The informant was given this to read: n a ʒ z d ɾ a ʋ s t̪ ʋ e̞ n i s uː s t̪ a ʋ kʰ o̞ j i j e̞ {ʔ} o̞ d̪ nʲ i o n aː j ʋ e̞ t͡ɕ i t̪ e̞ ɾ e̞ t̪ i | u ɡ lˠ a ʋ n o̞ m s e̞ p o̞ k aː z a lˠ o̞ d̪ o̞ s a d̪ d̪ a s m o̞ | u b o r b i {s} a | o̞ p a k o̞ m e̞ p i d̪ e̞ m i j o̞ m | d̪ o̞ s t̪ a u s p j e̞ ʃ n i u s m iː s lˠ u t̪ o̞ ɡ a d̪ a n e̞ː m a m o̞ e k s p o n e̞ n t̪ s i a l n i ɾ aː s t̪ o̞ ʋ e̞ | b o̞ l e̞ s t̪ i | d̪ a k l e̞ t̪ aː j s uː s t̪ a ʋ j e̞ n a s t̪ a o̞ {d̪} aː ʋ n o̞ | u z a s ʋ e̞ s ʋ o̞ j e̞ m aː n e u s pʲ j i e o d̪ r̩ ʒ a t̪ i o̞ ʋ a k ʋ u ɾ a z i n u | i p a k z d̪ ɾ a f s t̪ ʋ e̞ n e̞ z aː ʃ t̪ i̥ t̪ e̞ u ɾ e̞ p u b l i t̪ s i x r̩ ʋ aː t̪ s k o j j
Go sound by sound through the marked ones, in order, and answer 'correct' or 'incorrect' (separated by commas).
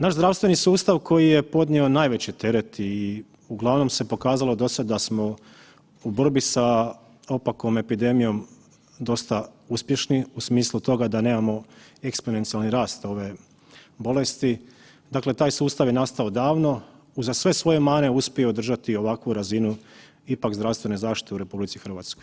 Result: incorrect, correct, correct